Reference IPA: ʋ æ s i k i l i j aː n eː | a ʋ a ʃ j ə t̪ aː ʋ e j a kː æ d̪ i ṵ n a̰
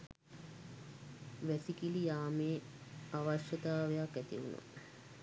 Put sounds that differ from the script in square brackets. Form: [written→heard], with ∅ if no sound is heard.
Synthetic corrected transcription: ʋ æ s i k i l i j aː [n→m] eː | a ʋ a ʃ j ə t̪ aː ʋ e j a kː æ [d̪→t̪] i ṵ n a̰